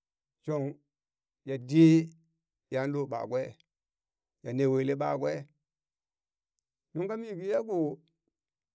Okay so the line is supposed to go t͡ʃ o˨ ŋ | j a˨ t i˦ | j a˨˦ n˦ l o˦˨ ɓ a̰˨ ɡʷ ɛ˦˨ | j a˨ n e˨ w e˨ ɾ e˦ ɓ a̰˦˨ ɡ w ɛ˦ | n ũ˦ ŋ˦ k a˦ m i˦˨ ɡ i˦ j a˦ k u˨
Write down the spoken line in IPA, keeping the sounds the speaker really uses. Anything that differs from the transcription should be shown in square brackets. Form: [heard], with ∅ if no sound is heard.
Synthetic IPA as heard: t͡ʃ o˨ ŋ | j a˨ [d] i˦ | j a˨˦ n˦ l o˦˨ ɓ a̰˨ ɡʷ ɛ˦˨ | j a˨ n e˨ w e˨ [l] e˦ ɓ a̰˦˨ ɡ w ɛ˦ | n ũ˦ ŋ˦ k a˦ m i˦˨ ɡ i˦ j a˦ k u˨